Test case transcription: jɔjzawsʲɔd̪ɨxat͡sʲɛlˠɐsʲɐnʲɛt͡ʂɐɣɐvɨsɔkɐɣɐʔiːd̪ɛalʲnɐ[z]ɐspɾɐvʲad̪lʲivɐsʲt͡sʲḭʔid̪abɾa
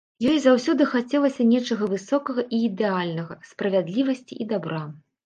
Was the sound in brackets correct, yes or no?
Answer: no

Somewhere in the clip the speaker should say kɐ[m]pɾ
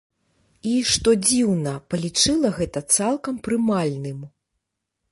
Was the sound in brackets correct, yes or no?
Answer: yes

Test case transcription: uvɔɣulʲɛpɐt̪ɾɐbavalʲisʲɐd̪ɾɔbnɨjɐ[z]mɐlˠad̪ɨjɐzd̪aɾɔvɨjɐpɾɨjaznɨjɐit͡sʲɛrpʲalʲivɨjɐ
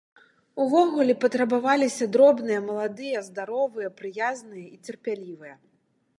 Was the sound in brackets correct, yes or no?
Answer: no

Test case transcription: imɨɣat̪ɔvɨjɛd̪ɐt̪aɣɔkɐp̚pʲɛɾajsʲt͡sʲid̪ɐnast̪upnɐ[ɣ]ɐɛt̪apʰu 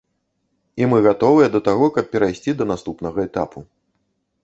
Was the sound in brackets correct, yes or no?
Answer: yes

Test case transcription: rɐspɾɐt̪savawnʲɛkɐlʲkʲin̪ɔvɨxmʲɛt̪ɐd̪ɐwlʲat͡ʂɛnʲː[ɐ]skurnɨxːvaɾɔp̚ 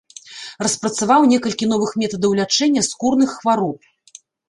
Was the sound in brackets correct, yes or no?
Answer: yes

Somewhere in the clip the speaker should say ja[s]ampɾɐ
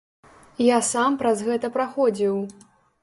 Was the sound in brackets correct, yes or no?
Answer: yes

